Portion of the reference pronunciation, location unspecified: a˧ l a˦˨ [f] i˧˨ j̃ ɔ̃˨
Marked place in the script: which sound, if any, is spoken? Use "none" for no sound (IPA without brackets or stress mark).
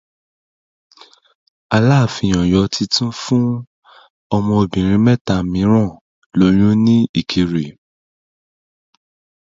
f